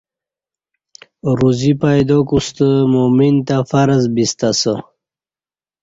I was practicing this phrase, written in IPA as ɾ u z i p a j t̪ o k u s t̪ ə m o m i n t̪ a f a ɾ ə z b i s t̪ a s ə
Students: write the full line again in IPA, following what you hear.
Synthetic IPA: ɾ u z i p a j d̪ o k u s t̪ ə m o m i n t̪ a f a ɾ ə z b i s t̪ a s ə